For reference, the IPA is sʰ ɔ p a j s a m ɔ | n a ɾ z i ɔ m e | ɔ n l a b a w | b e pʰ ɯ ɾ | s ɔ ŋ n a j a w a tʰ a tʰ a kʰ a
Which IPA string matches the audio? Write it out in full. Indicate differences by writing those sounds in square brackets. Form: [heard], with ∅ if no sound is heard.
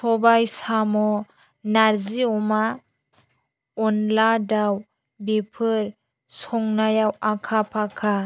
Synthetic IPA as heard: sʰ ɔ [b] a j s a m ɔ | n a ɾ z i ɔ m [a] | ɔ n l a [d] a w | b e pʰ ɯ ɾ | s ɔ ŋ n a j a w a [kʰ] a [pʰ] a kʰ a